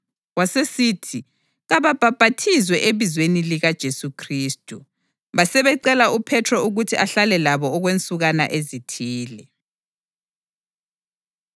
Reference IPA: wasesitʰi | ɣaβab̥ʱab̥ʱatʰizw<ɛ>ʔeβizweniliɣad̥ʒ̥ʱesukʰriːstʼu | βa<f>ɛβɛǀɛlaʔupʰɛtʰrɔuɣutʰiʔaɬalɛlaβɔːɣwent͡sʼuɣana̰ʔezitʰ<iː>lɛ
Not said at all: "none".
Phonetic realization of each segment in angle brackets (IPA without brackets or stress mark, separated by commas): ɛ, s, iː